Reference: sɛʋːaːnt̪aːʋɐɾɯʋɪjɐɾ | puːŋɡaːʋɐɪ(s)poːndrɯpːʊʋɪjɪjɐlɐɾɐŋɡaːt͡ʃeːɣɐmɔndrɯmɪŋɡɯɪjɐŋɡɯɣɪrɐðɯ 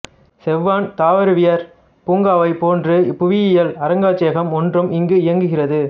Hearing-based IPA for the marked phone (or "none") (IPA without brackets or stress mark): none